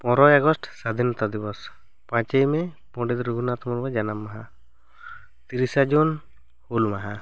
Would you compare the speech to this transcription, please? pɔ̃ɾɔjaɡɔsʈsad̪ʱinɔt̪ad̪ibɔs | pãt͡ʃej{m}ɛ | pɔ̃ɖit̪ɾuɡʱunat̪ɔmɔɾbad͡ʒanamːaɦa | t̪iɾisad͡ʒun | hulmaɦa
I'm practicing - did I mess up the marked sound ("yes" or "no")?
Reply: no